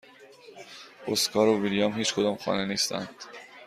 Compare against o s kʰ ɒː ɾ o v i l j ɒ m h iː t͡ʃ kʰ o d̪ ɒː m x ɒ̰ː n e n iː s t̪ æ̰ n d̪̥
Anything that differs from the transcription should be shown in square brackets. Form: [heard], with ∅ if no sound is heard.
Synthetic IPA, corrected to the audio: o s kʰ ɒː ɾ o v i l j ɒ m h iː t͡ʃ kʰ o d̪ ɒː m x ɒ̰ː n e n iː s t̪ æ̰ n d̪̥